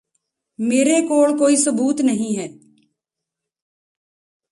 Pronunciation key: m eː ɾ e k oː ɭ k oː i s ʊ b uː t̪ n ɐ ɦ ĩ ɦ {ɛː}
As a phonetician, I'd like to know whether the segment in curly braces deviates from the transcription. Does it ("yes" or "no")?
no